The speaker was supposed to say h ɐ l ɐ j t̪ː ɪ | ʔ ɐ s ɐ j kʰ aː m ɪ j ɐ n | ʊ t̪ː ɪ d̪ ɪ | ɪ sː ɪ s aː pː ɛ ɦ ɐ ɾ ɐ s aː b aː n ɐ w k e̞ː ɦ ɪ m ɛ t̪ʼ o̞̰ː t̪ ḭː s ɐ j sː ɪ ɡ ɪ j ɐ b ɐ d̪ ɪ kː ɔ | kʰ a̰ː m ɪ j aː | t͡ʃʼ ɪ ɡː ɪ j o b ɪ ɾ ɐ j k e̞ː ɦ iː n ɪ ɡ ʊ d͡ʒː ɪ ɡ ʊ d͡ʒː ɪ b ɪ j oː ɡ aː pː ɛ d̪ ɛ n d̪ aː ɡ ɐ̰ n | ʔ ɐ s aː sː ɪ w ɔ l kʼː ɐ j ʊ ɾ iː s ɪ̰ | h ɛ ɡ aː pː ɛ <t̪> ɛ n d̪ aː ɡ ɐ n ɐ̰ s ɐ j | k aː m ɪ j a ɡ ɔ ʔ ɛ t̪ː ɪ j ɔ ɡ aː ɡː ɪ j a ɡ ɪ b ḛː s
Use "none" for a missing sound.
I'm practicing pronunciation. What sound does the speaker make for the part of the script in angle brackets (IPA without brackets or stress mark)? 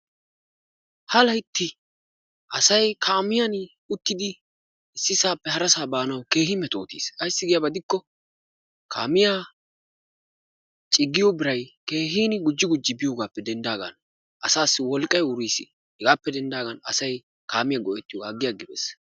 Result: d̪